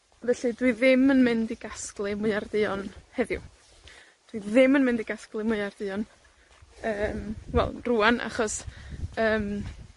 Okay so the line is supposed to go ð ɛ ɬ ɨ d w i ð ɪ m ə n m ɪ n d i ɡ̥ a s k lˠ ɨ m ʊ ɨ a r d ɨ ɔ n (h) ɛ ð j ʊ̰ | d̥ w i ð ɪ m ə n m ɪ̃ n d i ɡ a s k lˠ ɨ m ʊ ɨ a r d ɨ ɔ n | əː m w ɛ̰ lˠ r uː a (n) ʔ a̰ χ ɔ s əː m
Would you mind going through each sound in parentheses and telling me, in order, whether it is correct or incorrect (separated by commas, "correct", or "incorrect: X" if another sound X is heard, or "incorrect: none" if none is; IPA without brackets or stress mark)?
correct, correct